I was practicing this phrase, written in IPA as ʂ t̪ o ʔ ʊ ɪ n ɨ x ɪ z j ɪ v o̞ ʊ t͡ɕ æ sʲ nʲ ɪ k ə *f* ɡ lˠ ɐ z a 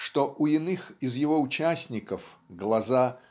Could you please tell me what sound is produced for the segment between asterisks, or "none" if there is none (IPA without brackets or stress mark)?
f